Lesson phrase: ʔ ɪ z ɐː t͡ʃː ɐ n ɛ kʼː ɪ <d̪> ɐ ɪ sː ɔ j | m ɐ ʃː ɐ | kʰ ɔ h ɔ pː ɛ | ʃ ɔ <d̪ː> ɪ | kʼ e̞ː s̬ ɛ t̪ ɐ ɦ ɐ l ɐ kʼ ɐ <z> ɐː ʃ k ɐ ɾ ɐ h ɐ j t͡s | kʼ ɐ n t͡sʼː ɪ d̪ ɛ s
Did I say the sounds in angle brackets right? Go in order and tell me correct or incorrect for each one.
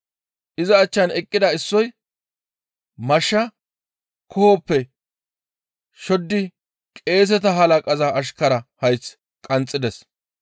correct, correct, correct

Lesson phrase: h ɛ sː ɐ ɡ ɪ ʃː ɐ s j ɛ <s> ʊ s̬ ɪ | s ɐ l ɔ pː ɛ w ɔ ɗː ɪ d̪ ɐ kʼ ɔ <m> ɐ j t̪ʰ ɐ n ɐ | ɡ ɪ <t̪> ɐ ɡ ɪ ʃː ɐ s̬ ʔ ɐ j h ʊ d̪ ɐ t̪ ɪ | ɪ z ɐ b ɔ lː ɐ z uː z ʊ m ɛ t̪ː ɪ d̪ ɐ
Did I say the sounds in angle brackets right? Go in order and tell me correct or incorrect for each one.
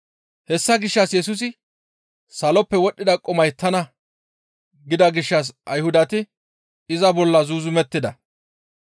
correct, correct, incorrect

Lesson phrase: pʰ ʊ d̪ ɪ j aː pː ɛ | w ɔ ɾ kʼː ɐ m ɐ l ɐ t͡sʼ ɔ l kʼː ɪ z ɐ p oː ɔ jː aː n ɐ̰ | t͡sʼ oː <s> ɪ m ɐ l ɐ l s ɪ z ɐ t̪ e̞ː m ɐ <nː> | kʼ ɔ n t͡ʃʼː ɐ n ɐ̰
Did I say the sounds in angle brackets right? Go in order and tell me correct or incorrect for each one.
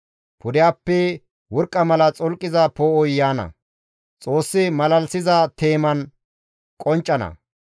incorrect, incorrect

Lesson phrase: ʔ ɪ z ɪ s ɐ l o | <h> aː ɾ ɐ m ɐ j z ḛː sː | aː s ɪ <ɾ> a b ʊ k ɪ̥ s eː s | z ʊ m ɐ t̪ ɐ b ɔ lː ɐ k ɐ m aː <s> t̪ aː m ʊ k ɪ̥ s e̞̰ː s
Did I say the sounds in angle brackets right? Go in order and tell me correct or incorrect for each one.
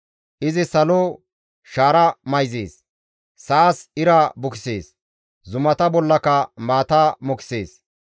incorrect, correct, incorrect

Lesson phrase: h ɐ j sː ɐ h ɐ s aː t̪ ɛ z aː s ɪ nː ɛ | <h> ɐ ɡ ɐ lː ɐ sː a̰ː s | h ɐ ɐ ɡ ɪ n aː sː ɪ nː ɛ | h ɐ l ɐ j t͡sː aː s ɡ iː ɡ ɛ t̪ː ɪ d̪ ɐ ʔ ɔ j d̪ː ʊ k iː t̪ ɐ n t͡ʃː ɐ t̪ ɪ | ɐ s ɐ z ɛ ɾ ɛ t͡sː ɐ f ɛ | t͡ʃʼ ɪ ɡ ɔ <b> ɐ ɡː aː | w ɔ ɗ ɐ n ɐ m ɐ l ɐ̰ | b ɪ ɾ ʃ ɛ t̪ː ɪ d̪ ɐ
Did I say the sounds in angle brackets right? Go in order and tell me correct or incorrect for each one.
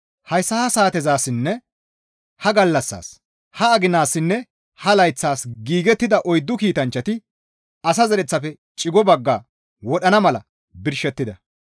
correct, correct

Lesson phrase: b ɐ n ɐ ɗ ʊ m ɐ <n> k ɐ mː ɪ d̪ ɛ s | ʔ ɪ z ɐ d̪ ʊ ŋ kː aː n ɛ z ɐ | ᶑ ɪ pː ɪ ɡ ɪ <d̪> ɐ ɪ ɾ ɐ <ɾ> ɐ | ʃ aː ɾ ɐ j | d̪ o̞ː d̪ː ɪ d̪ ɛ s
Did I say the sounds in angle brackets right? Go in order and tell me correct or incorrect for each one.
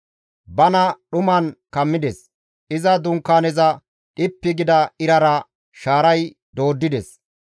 correct, correct, correct

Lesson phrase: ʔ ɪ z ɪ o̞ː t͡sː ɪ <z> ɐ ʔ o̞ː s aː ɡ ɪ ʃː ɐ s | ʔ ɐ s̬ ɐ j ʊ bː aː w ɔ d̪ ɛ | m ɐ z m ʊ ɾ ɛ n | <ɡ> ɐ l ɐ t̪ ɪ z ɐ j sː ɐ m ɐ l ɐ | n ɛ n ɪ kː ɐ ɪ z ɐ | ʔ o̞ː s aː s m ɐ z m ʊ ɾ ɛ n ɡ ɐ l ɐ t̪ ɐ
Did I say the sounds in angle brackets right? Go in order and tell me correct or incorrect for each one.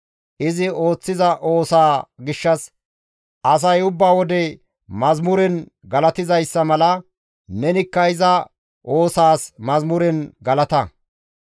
correct, correct

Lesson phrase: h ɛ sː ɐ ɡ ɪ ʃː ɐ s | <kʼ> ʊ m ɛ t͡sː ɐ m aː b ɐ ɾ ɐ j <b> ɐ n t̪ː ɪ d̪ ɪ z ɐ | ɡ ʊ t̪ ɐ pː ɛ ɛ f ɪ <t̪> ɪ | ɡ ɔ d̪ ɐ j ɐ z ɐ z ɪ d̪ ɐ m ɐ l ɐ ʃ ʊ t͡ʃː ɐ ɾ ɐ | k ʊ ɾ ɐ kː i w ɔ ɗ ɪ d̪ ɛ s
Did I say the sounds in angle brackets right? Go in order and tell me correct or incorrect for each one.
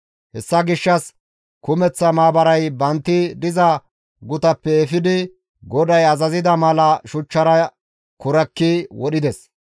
incorrect, correct, incorrect

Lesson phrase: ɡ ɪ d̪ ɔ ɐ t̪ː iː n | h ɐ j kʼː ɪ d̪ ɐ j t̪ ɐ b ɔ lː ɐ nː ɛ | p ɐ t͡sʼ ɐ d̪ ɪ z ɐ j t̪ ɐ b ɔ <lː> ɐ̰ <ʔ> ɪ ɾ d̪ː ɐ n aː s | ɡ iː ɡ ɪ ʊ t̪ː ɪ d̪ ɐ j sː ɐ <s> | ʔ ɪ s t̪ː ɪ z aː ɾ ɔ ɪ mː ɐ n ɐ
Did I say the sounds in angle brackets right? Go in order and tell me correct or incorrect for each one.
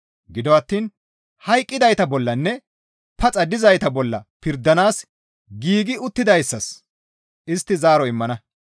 correct, incorrect, correct

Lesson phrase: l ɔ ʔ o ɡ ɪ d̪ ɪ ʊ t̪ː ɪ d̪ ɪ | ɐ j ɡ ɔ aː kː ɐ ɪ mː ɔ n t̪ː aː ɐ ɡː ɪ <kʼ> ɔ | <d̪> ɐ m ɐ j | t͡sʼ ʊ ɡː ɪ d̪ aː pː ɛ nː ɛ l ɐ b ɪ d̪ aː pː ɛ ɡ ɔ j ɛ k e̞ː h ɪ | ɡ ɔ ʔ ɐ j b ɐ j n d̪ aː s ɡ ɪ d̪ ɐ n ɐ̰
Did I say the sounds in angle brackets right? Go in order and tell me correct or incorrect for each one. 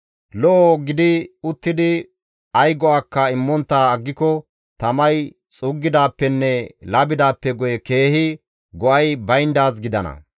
incorrect, incorrect

